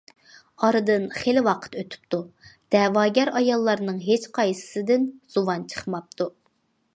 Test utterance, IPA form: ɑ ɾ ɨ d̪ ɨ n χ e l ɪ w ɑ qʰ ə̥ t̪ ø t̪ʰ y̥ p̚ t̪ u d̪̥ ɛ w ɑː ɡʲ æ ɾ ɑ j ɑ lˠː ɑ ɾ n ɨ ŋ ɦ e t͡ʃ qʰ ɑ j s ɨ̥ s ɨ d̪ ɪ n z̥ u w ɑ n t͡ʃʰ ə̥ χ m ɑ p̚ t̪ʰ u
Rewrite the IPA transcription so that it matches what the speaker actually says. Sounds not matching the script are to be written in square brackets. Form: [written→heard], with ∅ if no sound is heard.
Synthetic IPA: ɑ ɾ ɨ d̪ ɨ n χ e l ɪ w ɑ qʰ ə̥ t̪ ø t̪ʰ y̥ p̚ t̪ u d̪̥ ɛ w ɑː ɡʲ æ ɾ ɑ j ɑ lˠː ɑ ɾ n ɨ ŋ ɦ e t͡ʃ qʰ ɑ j s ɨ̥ s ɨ d̪ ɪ n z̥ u w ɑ n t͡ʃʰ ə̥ χ m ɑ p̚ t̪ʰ u